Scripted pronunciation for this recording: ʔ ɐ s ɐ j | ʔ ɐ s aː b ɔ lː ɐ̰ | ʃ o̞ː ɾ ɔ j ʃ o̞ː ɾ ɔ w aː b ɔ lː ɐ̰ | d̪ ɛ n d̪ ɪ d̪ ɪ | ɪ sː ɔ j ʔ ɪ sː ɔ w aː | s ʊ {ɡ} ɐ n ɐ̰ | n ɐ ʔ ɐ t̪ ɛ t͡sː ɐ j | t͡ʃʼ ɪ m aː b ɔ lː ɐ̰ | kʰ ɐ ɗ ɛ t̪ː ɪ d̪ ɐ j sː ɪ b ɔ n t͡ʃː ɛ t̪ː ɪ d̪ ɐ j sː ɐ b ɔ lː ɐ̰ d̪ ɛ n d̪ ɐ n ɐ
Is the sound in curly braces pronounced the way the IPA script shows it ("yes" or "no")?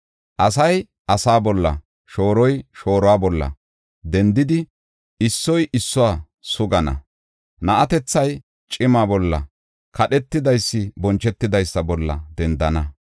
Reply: yes